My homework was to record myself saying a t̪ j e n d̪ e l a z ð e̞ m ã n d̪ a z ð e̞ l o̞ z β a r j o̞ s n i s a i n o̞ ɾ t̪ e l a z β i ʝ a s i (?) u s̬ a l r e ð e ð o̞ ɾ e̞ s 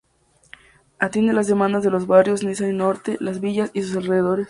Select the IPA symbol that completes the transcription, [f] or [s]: s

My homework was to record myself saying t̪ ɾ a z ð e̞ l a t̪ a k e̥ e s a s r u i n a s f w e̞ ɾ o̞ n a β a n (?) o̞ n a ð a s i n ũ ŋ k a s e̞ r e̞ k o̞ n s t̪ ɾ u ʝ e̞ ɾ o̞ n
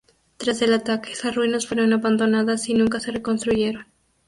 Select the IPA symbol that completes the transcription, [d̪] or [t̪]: d̪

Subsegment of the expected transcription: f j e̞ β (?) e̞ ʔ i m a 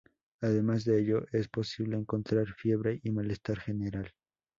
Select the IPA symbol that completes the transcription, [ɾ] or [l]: ɾ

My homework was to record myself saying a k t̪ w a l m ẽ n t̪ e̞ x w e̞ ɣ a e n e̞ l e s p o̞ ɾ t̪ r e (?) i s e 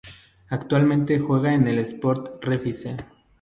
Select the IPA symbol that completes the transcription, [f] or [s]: f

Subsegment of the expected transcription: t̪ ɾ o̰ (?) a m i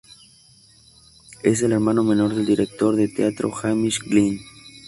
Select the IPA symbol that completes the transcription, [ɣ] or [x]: x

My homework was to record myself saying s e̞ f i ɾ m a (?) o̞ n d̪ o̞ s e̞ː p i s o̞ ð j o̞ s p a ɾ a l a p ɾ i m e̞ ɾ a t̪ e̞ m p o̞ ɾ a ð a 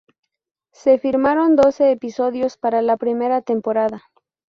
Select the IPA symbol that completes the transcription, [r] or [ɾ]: ɾ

